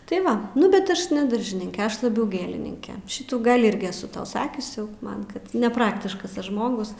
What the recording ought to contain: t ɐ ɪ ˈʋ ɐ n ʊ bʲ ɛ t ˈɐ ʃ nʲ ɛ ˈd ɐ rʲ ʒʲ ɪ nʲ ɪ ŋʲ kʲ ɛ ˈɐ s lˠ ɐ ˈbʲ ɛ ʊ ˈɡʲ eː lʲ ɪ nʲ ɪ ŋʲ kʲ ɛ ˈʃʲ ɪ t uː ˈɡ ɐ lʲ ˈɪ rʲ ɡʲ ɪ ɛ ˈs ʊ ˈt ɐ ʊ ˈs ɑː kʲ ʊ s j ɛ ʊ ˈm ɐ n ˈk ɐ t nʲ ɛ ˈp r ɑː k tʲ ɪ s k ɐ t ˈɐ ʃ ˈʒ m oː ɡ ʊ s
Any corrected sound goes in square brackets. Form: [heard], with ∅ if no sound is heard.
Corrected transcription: t ɐ ɪ ˈʋ ɐ n ʊ bʲ ɛ t ˈɐ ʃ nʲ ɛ ˈd ɐ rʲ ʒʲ ɪ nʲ ɪ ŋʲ kʲ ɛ ˈɐ [ʃ] lˠ ɐ ˈbʲ ɛ ʊ ˈɡʲ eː lʲ ɪ nʲ ɪ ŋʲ kʲ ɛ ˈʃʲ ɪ t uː ˈɡ ɐ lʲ ˈɪ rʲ ɡʲ ɪ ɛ ˈs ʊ ˈt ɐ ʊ ˈs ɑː kʲ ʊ s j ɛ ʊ ˈm ɐ n ˈk ɐ t nʲ ɛ ˈp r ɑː k tʲ ɪ [ʃ] k ɐ [s] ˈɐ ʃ ˈʒ m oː ɡ ʊ s